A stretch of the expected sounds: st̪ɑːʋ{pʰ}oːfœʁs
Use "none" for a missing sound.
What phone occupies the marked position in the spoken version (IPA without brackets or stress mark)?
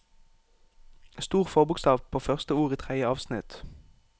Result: pʰ